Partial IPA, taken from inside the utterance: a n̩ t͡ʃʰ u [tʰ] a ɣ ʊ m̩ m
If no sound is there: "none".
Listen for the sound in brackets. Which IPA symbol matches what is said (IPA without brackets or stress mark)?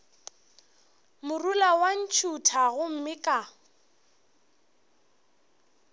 tʰ